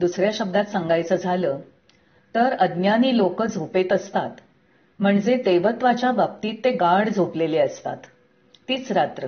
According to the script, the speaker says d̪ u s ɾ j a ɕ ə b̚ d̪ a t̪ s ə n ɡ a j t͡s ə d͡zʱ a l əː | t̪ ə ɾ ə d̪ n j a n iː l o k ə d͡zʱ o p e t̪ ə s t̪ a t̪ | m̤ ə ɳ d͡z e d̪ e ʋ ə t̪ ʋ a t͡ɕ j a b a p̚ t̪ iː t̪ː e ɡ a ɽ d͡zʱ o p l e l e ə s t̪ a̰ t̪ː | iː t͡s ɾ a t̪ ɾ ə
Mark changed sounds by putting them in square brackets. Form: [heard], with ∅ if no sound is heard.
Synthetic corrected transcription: d̪ u s ɾ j a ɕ ə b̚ d̪ a t̪ s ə [ŋ] ɡ a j t͡s ə d͡zʱ a l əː | t̪ ə ɾ ə d̪ n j a n iː l o k ə d͡zʱ o p e t̪ ə s t̪ a t̪ | m̤ ə ɳ d͡z e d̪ e ʋ ə t̪ ʋ a t͡ɕ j a b a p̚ t̪ iː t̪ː e ɡ a ɽ d͡zʱ o p l e l e ə s t̪ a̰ t̪ː | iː t͡s ɾ a t̪ ɾ ə